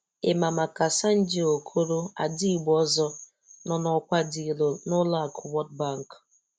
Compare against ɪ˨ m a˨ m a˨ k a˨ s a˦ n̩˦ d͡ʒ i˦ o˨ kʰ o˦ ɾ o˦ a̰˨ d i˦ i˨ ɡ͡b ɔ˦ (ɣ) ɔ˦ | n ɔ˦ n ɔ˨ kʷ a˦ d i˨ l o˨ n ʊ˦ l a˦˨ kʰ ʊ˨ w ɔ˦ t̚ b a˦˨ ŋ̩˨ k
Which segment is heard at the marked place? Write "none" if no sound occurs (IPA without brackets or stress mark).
z